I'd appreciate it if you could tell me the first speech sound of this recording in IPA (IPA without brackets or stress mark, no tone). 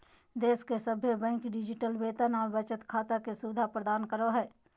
d̪